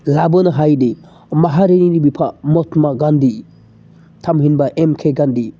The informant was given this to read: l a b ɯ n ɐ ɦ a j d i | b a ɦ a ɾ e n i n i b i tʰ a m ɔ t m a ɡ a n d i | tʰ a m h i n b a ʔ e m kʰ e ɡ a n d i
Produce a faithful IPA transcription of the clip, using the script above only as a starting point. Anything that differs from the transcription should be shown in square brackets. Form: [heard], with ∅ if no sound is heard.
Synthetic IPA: l a b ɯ n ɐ ɦ a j d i | [m] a ɦ a ɾ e n i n i b i [pʰ] a m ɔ t m a ɡ a n d i | tʰ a m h i n b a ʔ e m kʰ e ɡ a n d i